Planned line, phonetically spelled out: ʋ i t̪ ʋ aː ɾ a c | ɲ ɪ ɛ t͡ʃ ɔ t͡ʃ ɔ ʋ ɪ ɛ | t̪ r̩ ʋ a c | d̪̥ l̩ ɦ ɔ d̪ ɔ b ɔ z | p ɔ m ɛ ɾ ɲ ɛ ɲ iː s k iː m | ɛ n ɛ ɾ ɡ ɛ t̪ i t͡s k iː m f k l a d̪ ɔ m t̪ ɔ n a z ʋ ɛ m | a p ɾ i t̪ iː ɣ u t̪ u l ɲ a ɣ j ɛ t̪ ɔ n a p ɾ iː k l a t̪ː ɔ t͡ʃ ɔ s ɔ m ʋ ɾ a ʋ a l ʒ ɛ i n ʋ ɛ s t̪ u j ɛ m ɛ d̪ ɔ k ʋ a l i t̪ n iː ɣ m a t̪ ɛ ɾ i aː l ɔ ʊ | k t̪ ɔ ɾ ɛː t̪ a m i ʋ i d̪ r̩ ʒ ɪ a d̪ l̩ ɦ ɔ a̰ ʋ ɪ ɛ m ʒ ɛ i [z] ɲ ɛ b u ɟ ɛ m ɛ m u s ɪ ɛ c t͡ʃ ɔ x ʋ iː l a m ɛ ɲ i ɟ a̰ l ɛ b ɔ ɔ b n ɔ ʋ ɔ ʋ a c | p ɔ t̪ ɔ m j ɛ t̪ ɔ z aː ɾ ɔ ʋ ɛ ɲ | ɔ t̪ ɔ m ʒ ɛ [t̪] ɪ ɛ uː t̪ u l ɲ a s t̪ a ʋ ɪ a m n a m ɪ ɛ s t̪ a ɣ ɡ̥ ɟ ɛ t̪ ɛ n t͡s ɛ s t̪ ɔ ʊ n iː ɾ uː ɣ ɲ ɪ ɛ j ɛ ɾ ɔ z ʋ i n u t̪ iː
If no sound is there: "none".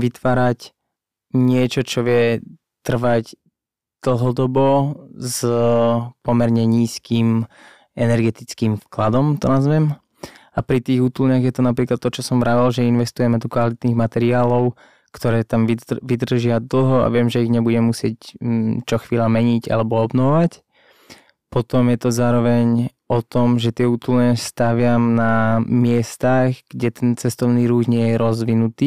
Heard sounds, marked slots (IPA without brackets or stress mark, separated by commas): ɣ, t̪